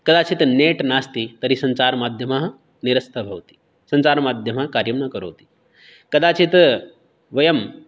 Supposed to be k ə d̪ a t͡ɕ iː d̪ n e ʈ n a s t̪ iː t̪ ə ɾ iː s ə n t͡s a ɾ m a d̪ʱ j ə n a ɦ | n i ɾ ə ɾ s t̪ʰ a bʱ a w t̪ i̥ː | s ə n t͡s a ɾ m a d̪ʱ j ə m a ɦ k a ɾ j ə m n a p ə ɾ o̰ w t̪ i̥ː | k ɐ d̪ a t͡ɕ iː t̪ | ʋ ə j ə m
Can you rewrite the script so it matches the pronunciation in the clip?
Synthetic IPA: k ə d̪ a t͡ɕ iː t̪ n e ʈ n a s t̪ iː t̪ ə ɾ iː s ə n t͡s a ɾ m a d̪ʱ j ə m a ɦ | n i ɾ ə s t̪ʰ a bʱ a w t̪ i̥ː | s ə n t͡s a ɾ m a d̪ʱ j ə m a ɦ k a ɾ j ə m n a k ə ɾ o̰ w t̪ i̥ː | k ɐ d̪ a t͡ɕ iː t̪ | ʋ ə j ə m